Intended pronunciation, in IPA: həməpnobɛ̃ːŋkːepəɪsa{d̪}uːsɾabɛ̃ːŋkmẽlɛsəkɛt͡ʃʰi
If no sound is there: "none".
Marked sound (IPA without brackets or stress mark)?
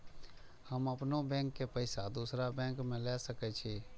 d̪